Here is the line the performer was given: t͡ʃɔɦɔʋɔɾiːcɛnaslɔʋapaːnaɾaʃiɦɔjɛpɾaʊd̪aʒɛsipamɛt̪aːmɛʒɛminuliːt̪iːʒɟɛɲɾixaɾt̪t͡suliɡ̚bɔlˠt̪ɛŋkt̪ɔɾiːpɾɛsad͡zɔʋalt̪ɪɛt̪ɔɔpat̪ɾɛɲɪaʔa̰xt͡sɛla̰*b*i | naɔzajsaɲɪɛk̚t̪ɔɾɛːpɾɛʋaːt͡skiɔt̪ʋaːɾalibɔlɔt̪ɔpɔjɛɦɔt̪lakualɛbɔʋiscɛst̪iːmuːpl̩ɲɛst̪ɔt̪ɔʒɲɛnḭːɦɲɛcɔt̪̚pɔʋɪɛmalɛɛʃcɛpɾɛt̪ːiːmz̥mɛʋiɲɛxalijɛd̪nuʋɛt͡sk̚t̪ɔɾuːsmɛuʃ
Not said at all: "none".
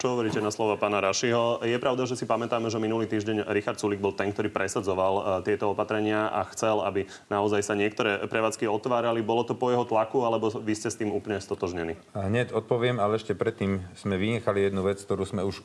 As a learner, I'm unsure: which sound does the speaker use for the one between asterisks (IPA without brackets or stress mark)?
b